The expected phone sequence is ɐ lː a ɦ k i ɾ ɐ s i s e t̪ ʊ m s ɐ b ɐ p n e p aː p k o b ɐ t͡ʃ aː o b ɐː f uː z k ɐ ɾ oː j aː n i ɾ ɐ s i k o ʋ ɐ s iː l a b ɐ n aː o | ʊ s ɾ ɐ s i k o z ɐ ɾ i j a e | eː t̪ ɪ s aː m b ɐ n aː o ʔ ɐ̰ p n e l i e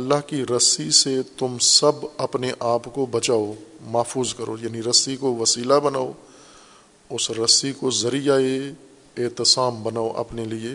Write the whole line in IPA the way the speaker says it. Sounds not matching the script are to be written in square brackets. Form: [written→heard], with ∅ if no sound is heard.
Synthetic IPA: ɐ lː a ɦ k i ɾ ɐ s i s e t̪ ʊ m s ɐ b ɐ p n e [p→ʔ] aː p k o b ɐ t͡ʃ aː o [b→m] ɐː f uː z k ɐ ɾ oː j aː n i ɾ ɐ s i k o ʋ ɐ s iː l a b ɐ n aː o | ʊ s ɾ ɐ s i k o z ɐ ɾ i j a e | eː t̪ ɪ s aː m b ɐ n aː o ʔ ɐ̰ p n e l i e